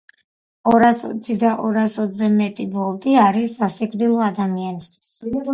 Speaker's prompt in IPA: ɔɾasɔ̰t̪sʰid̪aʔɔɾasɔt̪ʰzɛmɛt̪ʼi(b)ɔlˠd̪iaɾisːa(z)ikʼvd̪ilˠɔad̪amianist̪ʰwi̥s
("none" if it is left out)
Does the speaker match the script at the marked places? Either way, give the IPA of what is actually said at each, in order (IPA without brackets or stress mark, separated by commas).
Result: b, s